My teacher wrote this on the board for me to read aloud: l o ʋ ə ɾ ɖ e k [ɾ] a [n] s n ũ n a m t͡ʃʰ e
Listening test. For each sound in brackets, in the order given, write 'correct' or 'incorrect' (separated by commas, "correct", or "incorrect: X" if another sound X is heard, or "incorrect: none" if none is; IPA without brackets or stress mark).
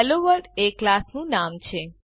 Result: incorrect: l, incorrect: none